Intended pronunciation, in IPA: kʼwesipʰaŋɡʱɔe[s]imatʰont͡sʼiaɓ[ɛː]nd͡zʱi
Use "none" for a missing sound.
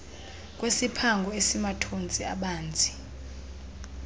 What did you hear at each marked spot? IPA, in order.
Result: s, aː

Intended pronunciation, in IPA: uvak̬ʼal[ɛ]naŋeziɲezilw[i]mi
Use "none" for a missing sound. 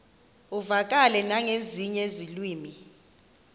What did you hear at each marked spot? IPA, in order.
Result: ɛ, iː

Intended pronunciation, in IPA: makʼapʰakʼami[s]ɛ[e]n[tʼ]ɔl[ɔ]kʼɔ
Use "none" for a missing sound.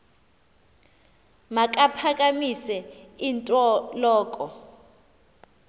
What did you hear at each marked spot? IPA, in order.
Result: s, i, tʼ, ɔː

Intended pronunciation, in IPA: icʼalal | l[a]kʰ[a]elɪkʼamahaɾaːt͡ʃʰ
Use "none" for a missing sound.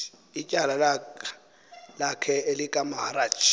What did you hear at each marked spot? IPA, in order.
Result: a, ɛ

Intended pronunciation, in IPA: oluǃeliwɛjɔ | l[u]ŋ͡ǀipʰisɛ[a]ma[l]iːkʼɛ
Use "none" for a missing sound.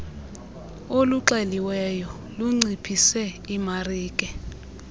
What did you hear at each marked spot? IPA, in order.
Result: u, i, r

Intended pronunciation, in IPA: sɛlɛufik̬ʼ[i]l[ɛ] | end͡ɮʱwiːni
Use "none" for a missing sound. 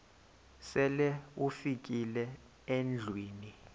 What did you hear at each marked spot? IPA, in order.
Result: i, ɛ

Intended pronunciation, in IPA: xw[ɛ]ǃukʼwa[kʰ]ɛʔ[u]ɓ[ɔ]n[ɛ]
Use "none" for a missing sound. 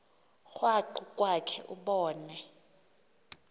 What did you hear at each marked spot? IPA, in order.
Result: a, kʰ, u, ɔː, ɛ

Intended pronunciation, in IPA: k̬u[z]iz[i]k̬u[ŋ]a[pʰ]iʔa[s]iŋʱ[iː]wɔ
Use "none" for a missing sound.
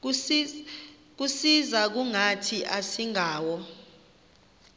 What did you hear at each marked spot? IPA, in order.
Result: s, a, ŋ, tʰ, s, aː

